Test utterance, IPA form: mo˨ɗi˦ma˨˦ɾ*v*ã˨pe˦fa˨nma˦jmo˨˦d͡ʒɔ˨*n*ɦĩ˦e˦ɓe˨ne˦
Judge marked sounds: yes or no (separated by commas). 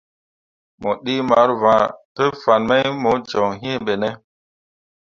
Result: yes, no